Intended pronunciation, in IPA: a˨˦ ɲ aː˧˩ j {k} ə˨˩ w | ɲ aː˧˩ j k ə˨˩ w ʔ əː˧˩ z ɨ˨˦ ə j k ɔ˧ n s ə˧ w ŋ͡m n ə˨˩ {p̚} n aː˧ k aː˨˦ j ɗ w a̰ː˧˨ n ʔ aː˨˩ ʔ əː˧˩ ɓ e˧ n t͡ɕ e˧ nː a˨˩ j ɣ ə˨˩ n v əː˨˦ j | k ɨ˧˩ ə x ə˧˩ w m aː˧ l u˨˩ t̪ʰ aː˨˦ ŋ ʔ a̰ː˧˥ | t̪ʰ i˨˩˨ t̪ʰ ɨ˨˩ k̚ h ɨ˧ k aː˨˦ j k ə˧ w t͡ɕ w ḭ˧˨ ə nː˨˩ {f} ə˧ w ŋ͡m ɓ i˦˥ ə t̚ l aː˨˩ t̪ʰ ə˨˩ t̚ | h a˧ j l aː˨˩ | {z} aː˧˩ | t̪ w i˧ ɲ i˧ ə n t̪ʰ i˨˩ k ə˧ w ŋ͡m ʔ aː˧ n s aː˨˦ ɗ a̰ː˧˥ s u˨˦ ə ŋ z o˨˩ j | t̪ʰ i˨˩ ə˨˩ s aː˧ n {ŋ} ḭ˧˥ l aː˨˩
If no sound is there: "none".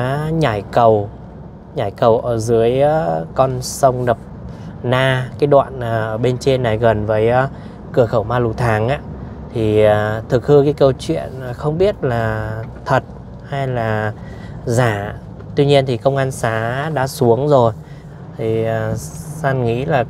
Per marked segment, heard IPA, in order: k, p̚, x, z, ŋ

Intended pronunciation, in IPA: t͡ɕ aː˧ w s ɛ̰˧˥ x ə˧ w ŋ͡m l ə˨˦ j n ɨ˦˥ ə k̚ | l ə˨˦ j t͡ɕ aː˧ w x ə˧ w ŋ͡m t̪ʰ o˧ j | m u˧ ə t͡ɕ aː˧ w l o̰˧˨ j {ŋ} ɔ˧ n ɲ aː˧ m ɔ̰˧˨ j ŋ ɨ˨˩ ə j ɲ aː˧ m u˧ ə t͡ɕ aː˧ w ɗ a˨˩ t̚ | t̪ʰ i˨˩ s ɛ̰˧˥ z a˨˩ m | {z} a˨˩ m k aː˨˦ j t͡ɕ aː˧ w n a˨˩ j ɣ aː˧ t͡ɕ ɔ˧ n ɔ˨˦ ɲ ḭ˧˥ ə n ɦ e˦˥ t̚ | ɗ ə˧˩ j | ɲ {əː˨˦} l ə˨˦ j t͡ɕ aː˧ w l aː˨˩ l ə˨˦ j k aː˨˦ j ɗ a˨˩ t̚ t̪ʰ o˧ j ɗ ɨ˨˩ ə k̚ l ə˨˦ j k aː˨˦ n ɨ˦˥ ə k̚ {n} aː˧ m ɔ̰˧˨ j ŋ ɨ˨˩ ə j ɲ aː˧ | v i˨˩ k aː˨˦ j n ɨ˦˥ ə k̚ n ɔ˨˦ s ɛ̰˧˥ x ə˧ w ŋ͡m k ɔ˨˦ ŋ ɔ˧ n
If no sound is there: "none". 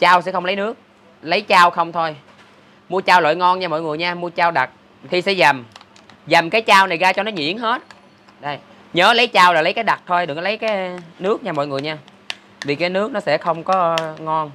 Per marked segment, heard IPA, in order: ŋ, z, əː˨˦, ɲ

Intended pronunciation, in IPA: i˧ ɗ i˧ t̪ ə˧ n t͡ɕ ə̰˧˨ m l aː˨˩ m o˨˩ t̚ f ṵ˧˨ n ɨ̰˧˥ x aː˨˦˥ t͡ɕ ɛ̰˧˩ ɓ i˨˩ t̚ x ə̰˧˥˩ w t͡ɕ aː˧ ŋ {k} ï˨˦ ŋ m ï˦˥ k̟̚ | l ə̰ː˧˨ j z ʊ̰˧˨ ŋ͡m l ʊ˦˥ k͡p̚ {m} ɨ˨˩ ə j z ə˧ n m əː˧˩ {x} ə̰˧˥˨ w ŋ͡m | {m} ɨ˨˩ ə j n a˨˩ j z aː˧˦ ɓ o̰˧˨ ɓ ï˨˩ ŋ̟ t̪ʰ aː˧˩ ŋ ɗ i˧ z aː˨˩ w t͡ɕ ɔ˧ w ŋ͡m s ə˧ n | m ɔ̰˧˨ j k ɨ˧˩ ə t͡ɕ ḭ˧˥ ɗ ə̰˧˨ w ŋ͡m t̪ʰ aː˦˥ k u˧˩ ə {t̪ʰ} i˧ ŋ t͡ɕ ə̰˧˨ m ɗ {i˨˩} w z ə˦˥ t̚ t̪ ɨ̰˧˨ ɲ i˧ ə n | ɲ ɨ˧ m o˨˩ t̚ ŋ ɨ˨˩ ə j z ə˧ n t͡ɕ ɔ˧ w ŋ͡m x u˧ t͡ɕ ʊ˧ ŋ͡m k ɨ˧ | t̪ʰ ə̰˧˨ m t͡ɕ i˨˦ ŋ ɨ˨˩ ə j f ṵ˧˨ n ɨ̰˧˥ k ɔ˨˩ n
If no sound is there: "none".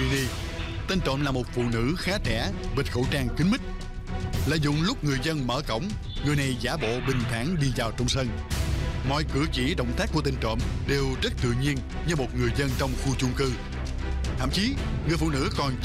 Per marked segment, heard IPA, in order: k, ŋ, k, ŋ, t̪, e˨˩

